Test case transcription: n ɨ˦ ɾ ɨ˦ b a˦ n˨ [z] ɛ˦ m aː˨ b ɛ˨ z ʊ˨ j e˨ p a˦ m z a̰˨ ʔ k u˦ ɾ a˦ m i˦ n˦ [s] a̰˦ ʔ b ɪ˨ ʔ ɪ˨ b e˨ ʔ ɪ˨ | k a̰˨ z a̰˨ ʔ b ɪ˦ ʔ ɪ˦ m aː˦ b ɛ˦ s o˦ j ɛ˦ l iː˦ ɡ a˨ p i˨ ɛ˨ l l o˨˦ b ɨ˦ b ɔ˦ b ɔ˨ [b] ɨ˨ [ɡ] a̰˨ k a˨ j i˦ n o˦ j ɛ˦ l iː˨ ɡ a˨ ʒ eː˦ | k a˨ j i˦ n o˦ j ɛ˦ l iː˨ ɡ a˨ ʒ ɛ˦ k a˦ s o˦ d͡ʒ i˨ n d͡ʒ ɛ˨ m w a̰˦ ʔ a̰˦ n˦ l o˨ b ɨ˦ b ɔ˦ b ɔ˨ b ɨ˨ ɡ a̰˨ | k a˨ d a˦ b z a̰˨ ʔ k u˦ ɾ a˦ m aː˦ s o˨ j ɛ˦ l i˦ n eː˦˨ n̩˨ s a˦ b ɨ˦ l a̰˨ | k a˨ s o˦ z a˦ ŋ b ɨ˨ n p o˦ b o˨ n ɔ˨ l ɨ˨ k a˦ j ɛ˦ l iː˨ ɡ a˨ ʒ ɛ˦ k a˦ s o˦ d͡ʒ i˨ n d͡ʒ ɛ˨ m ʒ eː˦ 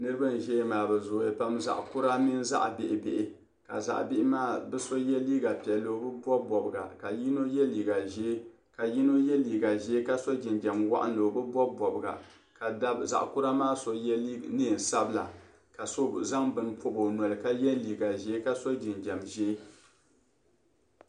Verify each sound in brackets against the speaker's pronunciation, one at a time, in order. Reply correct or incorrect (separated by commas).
incorrect, incorrect, correct, correct